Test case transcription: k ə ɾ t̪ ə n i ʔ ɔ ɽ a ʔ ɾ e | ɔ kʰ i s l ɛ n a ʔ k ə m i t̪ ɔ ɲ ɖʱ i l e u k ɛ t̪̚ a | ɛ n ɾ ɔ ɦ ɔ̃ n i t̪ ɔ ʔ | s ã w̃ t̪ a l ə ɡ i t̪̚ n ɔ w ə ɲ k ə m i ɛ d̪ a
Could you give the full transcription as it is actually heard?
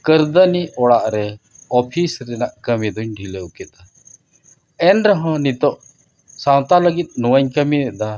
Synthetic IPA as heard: k ə ɾ d̪ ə n i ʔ ɔ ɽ a ʔ ɾ ɛ | ɔ pʰ i s ɾ ɛ n a ʔ k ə m i d̪ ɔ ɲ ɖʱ i l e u k ɛ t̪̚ a | ɛ n ɾ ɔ ɦ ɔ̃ n i t̪ ɔ ʔ | s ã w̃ t̪ a l ə ɡ i t̪̚ n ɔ w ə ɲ k ə m i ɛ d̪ a